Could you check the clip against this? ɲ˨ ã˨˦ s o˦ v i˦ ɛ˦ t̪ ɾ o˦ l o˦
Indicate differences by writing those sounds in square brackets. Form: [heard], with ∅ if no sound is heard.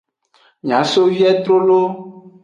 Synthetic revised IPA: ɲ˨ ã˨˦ s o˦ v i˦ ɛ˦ t̪ ɾ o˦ l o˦